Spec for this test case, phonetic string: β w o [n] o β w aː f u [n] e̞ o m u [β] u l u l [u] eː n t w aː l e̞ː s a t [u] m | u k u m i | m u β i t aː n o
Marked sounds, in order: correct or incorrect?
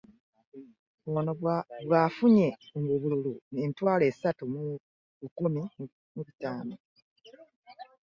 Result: correct, incorrect, correct, correct, correct

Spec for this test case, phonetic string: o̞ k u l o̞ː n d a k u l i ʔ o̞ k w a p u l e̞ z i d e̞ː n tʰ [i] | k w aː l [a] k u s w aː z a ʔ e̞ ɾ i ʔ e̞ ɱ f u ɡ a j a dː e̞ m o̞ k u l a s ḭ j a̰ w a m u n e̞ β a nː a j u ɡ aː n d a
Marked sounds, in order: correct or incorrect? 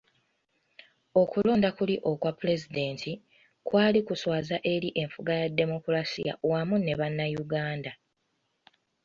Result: correct, incorrect

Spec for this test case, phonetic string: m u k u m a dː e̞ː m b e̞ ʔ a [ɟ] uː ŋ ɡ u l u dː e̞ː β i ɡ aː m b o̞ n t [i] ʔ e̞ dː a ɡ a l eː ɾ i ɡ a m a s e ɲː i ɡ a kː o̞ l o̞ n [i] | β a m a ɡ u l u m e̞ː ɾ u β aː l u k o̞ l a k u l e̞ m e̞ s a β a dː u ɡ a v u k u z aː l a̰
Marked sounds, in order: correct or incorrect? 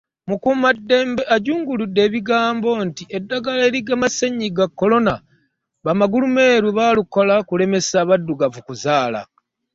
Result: correct, correct, incorrect

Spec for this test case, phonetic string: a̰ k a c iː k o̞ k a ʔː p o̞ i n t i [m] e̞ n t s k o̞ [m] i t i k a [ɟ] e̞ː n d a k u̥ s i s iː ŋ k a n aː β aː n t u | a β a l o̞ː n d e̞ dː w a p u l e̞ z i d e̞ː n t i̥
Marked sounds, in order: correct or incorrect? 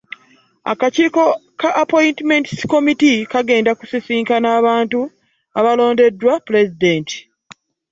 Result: correct, correct, incorrect

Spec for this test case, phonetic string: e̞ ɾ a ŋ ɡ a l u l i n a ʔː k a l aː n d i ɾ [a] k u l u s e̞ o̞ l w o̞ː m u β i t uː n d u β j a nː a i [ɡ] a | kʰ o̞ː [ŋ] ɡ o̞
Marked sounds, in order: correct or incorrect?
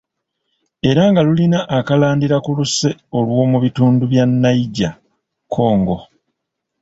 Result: correct, incorrect, correct

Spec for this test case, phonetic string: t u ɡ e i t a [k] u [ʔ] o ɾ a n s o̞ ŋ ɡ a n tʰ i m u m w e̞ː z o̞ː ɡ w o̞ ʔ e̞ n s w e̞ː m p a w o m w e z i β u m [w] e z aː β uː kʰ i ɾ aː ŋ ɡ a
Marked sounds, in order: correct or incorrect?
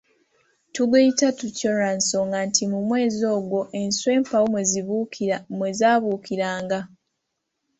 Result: incorrect, incorrect, correct

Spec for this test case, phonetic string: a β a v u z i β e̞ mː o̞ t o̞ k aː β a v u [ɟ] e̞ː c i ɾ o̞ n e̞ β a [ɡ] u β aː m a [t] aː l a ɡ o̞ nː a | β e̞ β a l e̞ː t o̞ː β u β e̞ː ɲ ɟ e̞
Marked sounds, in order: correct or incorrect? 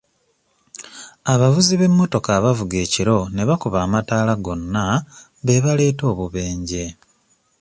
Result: incorrect, incorrect, correct

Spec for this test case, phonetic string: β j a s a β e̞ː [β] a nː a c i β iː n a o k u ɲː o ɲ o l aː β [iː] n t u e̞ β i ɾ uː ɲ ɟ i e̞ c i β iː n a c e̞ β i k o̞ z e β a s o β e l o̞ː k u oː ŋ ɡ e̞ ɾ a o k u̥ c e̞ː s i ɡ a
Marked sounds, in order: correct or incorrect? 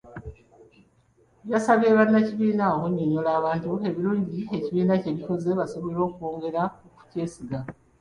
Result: correct, incorrect

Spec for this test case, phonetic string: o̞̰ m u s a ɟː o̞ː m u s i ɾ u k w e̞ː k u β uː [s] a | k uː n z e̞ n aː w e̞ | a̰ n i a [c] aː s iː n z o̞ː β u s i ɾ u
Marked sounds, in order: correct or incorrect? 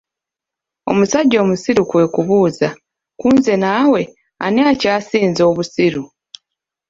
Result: incorrect, correct

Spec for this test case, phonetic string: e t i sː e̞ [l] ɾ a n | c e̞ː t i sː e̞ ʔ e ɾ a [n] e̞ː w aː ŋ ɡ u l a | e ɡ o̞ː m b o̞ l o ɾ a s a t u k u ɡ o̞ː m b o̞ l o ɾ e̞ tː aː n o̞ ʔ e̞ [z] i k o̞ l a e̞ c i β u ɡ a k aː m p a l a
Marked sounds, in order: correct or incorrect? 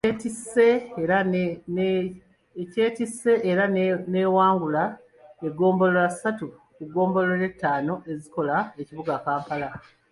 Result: incorrect, correct, correct

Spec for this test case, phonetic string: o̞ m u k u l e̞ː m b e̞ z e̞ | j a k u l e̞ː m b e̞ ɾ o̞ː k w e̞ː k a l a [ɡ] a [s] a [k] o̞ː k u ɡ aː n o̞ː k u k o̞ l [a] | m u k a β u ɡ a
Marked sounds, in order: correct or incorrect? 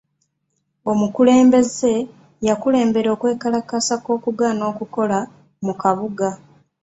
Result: incorrect, correct, correct, correct

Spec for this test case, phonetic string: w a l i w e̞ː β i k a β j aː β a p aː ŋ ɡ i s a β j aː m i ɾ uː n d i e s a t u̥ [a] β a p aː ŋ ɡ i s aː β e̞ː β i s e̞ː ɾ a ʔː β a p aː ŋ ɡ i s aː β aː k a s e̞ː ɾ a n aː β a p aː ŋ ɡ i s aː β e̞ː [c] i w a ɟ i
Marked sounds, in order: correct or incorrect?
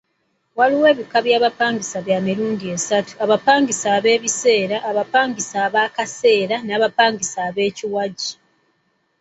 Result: correct, correct

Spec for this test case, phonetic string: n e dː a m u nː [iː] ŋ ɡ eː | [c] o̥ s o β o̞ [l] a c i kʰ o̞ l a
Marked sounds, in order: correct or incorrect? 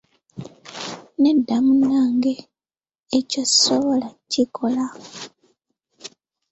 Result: incorrect, correct, correct

